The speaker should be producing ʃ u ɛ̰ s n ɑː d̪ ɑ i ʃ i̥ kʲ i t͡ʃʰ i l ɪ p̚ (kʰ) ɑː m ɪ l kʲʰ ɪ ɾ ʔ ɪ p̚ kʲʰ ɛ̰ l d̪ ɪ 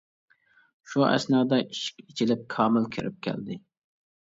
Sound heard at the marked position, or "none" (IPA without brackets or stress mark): kʰ